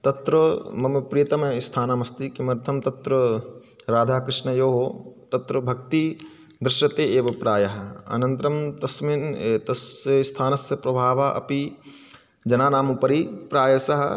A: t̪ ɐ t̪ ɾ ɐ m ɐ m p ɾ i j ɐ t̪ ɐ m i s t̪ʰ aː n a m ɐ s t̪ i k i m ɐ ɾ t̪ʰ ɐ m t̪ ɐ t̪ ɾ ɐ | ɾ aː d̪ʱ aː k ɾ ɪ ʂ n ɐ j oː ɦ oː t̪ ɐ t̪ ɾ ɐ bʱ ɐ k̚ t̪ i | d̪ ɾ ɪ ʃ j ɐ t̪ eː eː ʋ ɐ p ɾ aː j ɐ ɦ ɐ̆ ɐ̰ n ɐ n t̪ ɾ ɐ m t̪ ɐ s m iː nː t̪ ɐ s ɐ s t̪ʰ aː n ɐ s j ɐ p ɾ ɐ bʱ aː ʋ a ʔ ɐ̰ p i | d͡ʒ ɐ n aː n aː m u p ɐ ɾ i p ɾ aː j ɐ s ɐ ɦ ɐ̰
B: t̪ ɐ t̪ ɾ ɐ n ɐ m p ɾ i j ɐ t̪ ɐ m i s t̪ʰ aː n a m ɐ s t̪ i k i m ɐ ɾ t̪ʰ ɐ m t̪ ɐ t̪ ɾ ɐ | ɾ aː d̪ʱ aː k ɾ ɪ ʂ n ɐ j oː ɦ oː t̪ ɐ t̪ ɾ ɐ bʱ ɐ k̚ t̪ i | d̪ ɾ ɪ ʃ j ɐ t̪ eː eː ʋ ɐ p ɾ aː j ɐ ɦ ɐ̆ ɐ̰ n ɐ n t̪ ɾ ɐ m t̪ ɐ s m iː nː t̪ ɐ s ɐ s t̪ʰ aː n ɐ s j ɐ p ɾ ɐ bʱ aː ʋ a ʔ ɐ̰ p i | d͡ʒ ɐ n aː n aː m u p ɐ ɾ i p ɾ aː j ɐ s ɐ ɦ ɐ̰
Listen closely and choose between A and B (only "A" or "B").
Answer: A